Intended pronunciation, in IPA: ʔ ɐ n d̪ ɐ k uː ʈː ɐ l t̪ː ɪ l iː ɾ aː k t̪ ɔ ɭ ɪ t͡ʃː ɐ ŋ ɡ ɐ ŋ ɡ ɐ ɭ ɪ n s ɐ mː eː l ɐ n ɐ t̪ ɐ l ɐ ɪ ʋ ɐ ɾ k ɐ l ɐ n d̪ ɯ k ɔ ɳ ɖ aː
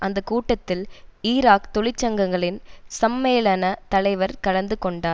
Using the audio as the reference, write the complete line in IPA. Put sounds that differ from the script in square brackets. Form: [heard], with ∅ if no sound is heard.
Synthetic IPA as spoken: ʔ ɐ n d̪ ɐ k uː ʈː ɐ [∅] t̪ː ɪ l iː ɾ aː k t̪ ɔ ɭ ɪ t͡ʃː ɐ ŋ ɡ ɐ ŋ ɡ ɐ ɭ ɪ n s ɐ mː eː l ɐ n ɐ t̪ ɐ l ɐ ɪ ʋ ɐ ɾ k ɐ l ɐ n d̪ ɯ k ɔ ɳ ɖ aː

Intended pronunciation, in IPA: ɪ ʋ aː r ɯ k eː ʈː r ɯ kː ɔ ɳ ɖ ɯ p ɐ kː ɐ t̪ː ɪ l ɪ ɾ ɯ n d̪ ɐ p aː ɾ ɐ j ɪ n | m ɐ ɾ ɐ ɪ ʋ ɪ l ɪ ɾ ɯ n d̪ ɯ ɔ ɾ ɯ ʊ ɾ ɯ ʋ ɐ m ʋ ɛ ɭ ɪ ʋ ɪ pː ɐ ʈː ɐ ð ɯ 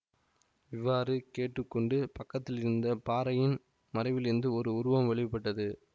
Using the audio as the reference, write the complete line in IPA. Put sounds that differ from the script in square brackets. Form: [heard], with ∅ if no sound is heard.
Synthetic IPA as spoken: ɪ [ʋː] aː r ɯ k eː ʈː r ɯ kː ɔ ɳ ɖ ɯ p ɐ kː ɐ t̪ː ɪ l ɪ ɾ ɯ n d̪ ɐ p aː ɾ ɐ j ɪ n | m ɐ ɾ ɐ ɪ ʋ ɪ l ɪ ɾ ɯ n d̪ ɯ ɔ ɾ ɯ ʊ ɾ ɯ ʋ ɐ m ʋ ɛ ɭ ɪ ʋ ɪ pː ɐ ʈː ɐ ð ɯ

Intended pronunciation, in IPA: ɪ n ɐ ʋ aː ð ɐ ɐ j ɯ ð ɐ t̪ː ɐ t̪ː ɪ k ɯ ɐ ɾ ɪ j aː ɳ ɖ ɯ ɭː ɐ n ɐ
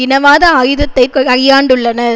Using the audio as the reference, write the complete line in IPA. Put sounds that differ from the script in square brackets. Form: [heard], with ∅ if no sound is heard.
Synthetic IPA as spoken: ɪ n ɐ ʋ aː ð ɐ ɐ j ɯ ð ɐ t̪ː ɐ [∅] ɪ k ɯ ɐ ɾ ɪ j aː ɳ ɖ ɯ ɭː ɐ n ɐ

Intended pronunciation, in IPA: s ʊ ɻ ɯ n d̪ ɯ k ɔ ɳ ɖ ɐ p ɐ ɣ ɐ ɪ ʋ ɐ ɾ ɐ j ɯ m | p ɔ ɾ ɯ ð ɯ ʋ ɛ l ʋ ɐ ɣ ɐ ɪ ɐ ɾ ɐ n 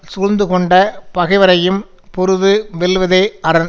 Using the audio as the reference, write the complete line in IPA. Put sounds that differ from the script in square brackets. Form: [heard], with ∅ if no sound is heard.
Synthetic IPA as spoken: s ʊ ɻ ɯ n d̪ ɯ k ɔ ɳ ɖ ɐ p ɐ ɣ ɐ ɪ ʋ ɐ ɾ ɐ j ɯ m | p ɔ ɾ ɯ ð ɯ ʋ ɛ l ʋ ɐ [ð] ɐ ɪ ɐ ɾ ɐ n

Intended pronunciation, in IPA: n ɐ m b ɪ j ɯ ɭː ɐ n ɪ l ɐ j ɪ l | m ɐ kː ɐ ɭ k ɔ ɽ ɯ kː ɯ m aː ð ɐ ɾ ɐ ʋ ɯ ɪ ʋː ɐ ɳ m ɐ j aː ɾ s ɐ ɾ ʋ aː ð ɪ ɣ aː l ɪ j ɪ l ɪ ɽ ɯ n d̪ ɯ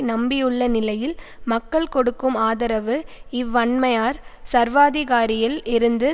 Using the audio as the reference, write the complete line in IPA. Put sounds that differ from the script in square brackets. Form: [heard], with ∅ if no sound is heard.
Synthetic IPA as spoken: n ɐ m b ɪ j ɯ ɭː ɐ n ɪ l ɐ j ɪ l | m ɐ kː ɐ ɭ k ɔ ɽ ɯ kː ɯ m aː ð ɐ ɾ ɐ ʋ ɯ ɪ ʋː ɐ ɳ m ɐ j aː ɾ s ɐ ɾ ʋ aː ð ɪ ɣ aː [ɾ] ɪ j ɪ l ɪ [ɾ] ɯ n d̪ ɯ

